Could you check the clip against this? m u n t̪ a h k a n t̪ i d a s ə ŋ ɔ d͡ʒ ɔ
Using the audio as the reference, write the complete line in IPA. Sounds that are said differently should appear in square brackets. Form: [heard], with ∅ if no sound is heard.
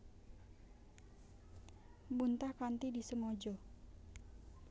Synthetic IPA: [b] u n t̪ a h k a n t̪ i d [i] s ə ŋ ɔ d͡ʒ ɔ